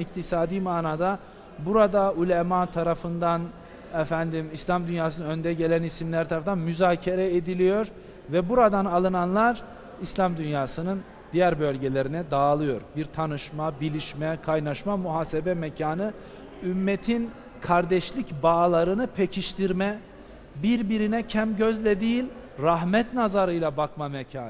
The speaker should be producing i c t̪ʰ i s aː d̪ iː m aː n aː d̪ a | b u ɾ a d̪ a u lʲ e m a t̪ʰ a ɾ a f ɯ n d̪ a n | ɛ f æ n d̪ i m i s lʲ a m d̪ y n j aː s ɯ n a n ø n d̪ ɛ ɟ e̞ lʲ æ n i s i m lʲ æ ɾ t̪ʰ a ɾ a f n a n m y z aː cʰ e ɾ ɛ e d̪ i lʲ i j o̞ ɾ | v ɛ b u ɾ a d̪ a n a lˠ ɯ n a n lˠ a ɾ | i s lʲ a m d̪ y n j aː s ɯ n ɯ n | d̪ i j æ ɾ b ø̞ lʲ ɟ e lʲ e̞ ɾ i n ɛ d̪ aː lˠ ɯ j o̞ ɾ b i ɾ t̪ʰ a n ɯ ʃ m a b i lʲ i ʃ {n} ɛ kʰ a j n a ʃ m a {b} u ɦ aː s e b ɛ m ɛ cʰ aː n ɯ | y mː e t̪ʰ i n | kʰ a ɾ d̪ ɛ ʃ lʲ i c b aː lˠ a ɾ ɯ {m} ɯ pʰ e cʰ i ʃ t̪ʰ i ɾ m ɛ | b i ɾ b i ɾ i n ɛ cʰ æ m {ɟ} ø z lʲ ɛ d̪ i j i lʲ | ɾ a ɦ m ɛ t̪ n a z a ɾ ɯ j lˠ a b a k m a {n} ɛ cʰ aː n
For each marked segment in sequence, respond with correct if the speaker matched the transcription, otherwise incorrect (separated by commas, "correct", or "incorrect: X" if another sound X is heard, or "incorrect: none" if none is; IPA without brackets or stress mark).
incorrect: m, incorrect: m, incorrect: n, correct, incorrect: m